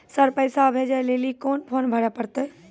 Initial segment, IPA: s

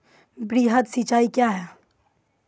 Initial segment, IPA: b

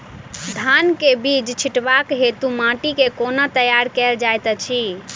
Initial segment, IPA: d̪ʱ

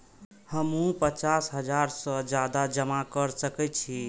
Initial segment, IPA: h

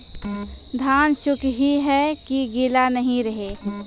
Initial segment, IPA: d̪ʱ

